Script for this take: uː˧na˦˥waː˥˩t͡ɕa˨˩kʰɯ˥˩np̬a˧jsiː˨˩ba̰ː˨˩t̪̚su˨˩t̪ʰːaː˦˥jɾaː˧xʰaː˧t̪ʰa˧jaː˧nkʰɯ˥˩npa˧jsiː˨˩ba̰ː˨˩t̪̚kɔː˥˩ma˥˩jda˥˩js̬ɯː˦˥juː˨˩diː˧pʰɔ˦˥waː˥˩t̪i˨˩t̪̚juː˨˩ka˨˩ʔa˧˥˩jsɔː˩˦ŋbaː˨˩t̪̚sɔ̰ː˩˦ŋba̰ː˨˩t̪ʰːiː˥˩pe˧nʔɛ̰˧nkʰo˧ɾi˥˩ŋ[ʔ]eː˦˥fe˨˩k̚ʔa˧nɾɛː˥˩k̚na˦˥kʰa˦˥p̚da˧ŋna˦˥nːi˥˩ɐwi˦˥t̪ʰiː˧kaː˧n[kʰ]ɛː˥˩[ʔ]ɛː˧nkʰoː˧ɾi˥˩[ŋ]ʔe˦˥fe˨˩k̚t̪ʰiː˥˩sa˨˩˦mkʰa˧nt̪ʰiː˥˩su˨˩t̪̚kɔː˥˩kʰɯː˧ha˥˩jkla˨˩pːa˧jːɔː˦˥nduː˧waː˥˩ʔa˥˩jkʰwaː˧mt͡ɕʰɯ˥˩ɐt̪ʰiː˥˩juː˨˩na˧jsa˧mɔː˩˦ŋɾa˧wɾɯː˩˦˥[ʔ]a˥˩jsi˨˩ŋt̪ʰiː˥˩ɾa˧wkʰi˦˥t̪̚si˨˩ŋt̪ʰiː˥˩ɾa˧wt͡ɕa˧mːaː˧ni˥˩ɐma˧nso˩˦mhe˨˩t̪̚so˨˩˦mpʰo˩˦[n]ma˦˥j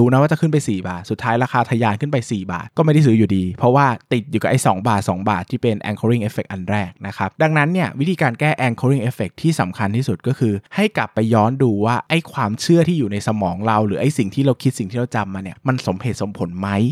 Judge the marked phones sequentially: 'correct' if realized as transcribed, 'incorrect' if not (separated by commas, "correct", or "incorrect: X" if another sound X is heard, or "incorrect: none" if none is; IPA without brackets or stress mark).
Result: correct, incorrect: k, correct, correct, correct, correct